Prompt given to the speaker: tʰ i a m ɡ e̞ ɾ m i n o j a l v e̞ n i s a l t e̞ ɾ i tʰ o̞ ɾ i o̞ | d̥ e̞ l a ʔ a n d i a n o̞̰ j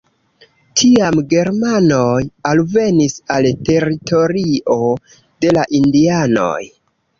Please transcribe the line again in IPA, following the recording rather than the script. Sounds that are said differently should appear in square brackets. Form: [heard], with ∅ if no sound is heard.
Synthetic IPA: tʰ i a m ɡ e̞ ɾ m [a] n o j a l v e̞ n i s a l t e̞ ɾ i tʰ o̞ ɾ i o̞ | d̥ e̞ l a ʔ [i] n d i a n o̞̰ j